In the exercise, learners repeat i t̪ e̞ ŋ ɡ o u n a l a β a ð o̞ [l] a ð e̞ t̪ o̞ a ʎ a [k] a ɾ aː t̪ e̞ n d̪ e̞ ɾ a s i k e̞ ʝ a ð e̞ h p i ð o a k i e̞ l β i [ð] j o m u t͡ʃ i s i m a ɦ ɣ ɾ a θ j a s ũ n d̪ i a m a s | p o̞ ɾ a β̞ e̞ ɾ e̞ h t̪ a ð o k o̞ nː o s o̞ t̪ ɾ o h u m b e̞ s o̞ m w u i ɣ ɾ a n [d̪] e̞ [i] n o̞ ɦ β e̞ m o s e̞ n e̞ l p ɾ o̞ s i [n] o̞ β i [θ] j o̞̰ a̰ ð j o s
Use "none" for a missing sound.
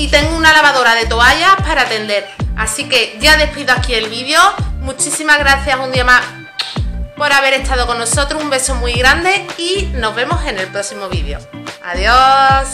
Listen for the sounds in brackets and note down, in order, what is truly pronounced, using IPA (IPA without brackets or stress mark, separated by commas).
ɾ, p, ð, d̪, i, m, ð